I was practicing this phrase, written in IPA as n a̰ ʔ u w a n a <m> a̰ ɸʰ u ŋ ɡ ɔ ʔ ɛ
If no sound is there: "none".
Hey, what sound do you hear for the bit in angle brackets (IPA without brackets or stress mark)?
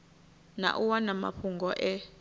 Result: m